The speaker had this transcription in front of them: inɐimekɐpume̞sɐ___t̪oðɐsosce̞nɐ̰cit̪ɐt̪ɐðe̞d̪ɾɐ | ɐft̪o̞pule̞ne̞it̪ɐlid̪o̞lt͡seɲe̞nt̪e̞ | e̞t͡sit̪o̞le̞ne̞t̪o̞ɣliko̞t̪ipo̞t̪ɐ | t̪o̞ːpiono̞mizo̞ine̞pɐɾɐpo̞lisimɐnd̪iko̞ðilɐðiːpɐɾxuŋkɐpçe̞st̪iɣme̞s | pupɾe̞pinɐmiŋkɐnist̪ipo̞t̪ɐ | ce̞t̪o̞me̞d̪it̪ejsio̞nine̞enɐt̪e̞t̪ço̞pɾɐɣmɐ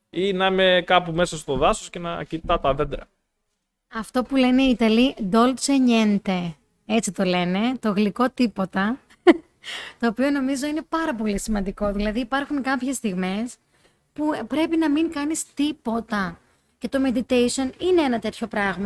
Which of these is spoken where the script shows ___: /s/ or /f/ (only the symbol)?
s